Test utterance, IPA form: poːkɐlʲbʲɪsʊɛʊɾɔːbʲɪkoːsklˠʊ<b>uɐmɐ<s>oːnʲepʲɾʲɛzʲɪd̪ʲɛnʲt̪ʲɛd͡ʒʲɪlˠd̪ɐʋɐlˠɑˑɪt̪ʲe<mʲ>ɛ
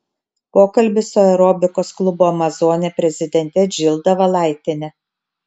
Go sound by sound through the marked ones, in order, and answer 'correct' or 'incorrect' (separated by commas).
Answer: correct, incorrect, incorrect